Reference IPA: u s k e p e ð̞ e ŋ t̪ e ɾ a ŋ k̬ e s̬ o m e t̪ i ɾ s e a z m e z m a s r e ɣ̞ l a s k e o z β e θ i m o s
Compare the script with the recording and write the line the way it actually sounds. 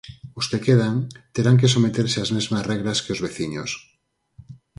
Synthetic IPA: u s k e k e ð̞ a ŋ t̪ e ɾ a ŋ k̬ e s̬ o m e t̪ e ɾ s e a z m e z m a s r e ɣ̞ l a s k e o z β e θ i ɲ o s